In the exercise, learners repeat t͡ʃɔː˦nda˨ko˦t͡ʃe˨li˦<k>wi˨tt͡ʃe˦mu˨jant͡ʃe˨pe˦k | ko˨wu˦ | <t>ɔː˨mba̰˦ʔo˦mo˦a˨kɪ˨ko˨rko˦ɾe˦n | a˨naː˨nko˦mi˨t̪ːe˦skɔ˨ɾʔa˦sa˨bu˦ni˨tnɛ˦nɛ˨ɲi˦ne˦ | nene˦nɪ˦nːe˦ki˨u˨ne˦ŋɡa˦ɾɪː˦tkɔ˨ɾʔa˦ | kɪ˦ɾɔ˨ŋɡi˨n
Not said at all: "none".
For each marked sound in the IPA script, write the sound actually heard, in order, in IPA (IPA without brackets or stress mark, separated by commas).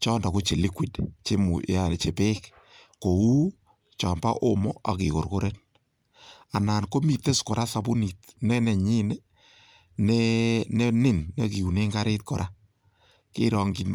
k, t͡ʃ